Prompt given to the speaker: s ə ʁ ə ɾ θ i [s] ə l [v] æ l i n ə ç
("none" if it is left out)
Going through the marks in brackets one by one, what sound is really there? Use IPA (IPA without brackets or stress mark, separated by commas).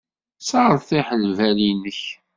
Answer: ħ, v